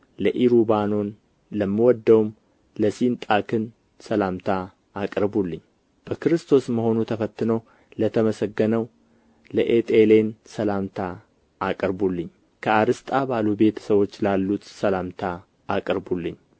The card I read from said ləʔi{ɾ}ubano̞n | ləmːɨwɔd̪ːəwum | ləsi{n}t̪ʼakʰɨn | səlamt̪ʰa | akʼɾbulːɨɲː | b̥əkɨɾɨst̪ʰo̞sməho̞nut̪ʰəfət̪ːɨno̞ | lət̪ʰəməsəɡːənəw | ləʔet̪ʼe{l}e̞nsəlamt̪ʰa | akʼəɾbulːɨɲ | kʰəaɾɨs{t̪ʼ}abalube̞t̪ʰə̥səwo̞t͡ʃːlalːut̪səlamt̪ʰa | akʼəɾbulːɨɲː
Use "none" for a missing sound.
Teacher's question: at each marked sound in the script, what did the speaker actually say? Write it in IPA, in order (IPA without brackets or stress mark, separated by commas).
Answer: ɾ, n, l, t̪ʼ